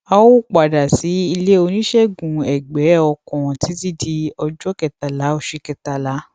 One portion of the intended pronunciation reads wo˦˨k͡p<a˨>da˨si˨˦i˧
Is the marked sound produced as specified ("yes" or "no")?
yes